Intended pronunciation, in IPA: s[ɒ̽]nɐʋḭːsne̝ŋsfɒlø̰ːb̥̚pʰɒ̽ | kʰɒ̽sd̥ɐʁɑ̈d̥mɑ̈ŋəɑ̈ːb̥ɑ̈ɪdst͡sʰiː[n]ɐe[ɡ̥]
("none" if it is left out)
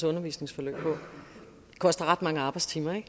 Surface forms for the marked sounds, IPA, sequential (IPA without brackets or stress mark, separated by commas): ɔ̽, m, ɡ̥